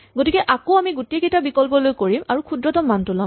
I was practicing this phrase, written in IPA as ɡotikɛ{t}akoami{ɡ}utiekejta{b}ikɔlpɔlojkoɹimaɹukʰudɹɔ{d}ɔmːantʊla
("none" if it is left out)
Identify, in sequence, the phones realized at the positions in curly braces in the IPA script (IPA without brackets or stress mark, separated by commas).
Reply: ʔ, ɡ, b, t